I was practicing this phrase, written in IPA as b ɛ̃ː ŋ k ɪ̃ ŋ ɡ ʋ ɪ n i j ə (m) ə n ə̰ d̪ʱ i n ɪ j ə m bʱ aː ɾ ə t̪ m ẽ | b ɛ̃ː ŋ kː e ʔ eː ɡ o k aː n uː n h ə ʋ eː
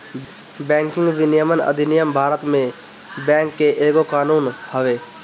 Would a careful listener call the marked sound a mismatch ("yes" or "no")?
no